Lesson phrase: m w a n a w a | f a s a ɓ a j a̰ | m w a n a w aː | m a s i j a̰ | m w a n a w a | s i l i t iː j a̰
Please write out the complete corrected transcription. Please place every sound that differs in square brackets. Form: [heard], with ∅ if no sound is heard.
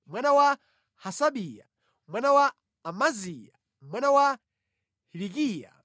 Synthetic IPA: m w a n a w a | [h] a s a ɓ [i] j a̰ | m w a n a w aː | m a [z] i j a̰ | m w a n a w a | [h] i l i [k] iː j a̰